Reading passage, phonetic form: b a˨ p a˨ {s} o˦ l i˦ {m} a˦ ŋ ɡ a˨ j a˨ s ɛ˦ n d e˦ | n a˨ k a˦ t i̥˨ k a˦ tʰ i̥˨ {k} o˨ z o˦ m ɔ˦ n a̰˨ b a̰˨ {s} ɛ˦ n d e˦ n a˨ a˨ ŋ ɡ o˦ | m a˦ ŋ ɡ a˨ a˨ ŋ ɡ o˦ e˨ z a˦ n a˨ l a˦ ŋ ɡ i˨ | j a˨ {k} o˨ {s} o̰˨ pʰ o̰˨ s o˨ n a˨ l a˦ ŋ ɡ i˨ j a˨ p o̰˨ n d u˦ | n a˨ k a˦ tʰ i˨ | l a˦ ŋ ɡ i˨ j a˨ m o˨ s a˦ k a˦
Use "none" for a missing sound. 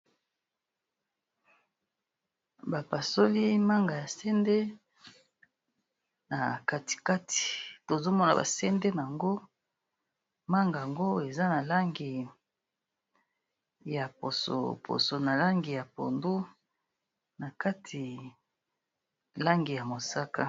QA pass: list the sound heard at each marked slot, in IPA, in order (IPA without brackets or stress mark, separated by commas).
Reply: s, m, t, s, p, s